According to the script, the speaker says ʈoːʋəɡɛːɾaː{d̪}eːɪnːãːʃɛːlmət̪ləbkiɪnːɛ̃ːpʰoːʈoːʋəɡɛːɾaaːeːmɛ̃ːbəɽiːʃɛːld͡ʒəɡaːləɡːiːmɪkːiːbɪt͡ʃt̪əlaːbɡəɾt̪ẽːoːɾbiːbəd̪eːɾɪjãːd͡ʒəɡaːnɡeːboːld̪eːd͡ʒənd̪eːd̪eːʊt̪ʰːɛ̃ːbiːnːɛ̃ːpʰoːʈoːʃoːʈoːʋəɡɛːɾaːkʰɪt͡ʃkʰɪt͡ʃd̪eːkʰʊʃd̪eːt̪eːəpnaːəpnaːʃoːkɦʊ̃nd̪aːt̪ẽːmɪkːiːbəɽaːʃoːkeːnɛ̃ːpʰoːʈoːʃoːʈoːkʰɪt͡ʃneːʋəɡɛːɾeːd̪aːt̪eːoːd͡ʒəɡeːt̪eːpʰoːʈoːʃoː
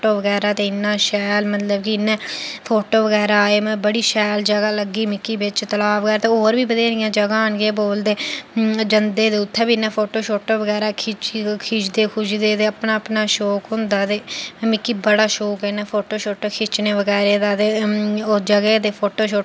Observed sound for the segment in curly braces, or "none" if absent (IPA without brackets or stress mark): t̪